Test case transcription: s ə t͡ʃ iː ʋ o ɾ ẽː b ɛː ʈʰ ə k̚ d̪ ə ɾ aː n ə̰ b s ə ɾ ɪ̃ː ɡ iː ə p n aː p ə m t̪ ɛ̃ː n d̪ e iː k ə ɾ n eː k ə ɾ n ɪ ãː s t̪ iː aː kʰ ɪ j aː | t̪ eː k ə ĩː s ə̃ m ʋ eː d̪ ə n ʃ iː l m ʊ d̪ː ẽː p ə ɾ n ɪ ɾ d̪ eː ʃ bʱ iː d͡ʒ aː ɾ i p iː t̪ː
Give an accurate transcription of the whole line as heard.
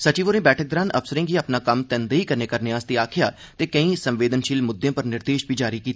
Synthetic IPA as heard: s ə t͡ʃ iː ʋ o ɾ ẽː b ɛː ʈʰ ə k̚ d̪ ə ɾ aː n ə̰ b s ə ɾ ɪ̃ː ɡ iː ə p n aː k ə m t̪ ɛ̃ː n d̪ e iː k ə ɾ n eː k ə ɾ n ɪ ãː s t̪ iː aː kʰ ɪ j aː | t̪ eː k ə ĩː s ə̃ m ʋ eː d̪ ə n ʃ iː l m ʊ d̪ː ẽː p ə ɾ n ɪ ɾ d̪ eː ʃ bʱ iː d͡ʒ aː ɾ i k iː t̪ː